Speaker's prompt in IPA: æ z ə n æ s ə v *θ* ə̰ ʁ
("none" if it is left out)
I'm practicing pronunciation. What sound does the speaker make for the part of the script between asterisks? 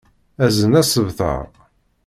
θ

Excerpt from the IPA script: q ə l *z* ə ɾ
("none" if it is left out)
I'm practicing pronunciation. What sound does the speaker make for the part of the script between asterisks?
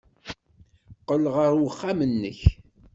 ʁ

